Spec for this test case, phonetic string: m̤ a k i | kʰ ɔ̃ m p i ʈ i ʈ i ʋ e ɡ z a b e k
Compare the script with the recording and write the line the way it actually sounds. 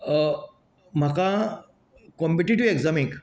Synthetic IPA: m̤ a k a | k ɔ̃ m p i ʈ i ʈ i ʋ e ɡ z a m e k